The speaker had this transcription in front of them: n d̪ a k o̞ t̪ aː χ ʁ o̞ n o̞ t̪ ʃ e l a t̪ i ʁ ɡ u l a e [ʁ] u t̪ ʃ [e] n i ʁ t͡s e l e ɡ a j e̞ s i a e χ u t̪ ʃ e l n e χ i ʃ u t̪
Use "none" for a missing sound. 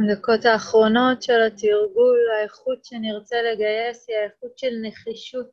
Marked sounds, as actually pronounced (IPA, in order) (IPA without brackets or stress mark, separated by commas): χ, e